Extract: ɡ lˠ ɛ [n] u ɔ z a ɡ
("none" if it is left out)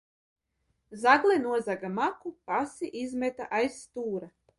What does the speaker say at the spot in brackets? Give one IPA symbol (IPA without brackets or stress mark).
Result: n